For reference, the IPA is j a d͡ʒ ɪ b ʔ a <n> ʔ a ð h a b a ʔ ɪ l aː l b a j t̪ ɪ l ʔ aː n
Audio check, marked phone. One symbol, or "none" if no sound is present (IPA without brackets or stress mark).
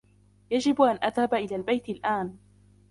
n